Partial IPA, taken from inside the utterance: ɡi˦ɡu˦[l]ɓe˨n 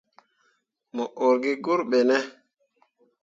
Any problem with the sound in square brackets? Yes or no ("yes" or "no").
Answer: yes